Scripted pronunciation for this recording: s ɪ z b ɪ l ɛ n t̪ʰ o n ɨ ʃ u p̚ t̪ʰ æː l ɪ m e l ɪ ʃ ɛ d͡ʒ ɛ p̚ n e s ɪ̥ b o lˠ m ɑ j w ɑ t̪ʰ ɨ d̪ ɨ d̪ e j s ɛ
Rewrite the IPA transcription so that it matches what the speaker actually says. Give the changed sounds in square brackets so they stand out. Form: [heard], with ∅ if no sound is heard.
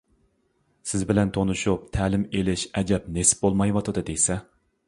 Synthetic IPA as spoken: s ɪ z b ɪ l ɛ n t̪ʰ o n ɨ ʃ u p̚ t̪ʰ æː l ɪ m e l ɪ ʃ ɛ d͡ʒ ɛ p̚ n e s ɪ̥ b o lˠ m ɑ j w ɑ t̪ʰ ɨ d̪ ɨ d̪ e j s ɛ